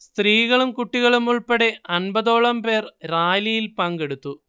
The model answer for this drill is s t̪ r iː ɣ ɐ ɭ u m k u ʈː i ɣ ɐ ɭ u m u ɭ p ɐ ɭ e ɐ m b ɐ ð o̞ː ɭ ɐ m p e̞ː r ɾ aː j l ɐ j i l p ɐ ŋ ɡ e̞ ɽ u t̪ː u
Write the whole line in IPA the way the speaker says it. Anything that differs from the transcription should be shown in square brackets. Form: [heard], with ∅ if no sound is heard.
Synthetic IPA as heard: s t̪ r iː ɣ ɐ ɭ u m k u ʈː i ɣ ɐ ɭ u m u ɭ p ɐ [ɽ] e ɐ [n] b ɐ ð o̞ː ɭ ɐ m p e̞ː r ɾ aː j l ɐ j i l p ɐ ŋ ɡ e̞ ɽ u t̪ː u

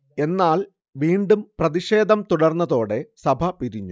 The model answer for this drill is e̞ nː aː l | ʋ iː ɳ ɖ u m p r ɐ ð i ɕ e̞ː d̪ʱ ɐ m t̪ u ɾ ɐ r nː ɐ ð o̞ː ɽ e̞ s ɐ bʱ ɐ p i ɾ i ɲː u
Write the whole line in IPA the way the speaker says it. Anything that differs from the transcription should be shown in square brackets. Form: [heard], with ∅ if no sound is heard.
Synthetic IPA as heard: e̞ nː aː l | ʋ iː ɳ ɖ u m p r ɐ ð i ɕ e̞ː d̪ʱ ɐ m t̪ u [ɽ] ɐ r nː ɐ ð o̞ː ɽ e̞ s ɐ bʱ ɐ p i ɾ i ɲː u

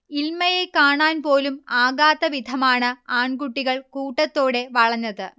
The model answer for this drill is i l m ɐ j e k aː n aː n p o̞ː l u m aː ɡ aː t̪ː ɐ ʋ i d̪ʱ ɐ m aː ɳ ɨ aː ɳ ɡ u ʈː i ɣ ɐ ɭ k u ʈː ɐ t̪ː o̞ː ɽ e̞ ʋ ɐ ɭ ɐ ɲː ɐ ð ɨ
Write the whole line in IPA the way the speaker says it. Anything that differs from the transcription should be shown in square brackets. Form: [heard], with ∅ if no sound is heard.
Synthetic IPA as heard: i l m ɐ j e k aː [ɳ] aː n p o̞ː l u m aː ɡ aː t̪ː ɐ ʋ i d̪ʱ ɐ m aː ɳ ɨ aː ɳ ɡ u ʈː i ɣ ɐ ɭ k [uː] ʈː ɐ t̪ː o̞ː ɽ e̞ ʋ ɐ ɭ ɐ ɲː ɐ ð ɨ

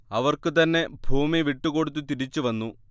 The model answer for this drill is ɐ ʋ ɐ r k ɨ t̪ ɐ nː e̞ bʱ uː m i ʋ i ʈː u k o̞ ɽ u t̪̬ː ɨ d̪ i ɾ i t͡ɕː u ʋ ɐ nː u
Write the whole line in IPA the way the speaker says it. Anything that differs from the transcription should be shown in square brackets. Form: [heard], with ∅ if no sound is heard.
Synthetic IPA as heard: ɐ ʋ ɐ r k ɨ t̪ ɐ nː e̞ bʱ uː m i ʋ i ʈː u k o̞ ɽ u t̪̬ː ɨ [t̪] i ɾ i t͡ɕː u ʋ ɐ nː u

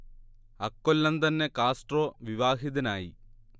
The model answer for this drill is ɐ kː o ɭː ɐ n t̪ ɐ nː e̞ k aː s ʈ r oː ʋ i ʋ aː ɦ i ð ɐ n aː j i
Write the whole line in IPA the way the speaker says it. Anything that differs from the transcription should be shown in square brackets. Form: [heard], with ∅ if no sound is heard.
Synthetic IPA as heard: ɐ kː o [lː] ɐ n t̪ ɐ nː e̞ k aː s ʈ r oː ʋ i ʋ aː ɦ i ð ɐ n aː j i

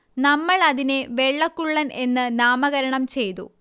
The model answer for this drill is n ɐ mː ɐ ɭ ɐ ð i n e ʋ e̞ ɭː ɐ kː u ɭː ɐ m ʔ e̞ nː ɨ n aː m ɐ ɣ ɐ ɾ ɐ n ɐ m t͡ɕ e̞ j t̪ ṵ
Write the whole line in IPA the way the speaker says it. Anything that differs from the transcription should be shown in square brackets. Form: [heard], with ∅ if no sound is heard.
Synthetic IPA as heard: n ɐ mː ɐ ɭ ɐ ð i n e ʋ e̞ ɭː ɐ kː u ɭː ɐ [n] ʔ e̞ nː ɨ n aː m ɐ ɣ ɐ ɾ ɐ [ɳ] ɐ m t͡ɕ e̞ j t̪ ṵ

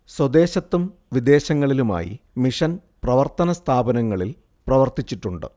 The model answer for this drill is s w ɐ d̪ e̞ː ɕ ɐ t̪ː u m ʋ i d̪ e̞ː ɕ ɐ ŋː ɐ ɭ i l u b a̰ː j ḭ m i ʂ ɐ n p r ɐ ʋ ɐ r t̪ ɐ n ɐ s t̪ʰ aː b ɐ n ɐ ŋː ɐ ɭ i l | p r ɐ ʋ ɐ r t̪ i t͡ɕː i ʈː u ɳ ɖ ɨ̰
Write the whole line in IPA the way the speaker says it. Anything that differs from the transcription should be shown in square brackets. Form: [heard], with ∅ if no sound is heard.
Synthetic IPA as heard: s w ɐ d̪ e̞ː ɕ ɐ t̪ː u m ʋ i d̪ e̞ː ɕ ɐ ŋː ɐ ɭ i l u [m] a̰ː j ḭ m i ʂ ɐ n p r ɐ ʋ ɐ r t̪ ɐ n ɐ s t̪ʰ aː b ɐ n ɐ ŋː ɐ ɭ i l | p r ɐ ʋ ɐ r t̪ i t͡ɕː i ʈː u ɳ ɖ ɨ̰

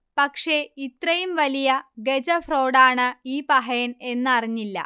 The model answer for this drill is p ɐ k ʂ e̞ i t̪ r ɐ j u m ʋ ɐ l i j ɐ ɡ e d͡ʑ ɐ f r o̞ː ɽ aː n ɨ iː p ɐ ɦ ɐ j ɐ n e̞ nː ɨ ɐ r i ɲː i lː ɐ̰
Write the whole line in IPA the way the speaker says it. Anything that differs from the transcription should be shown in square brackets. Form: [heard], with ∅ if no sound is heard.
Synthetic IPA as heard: p ɐ k ʂ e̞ i t̪ r ɐ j u m ʋ ɐ l i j ɐ ɡ e d͡ʑ ɐ f r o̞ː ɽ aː [ɳ] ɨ iː p ɐ ɦ ɐ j ɐ n e̞ nː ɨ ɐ r i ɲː i lː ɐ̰

